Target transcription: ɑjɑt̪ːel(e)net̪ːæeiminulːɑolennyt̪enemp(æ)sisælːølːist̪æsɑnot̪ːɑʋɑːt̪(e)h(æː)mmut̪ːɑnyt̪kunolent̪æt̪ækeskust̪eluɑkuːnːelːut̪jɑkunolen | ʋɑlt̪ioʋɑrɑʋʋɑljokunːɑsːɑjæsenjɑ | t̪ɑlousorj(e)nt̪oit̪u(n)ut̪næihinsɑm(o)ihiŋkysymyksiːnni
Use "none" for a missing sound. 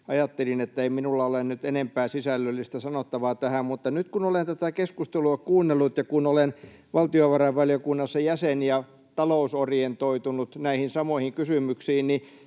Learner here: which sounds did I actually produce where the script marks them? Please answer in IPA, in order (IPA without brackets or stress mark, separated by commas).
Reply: i, æː, æ, æ, e, n, o